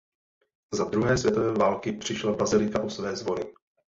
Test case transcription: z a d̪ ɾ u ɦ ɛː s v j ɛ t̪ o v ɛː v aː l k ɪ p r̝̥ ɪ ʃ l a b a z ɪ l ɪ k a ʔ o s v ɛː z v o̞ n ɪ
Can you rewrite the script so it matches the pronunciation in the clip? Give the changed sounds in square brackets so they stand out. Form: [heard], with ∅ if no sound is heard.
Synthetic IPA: z a d̪ ɾ u ɦ ɛː s v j ɛ t̪ o v ɛː v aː l k ɪ p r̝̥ ɪ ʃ l a b a z ɪ l ɪ k a ʔ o s v ɛː z v o̞ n ɪ